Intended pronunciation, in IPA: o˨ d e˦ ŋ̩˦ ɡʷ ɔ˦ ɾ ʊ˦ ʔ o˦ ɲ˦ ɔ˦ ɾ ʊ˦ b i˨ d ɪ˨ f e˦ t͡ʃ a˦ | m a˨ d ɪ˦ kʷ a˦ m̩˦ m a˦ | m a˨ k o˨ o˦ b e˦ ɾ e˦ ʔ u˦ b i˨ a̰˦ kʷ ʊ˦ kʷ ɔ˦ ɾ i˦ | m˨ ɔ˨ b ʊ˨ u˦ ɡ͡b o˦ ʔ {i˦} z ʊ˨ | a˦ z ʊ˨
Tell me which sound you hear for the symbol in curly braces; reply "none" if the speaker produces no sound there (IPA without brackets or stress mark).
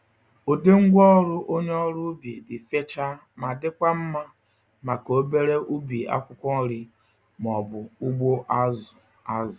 a˦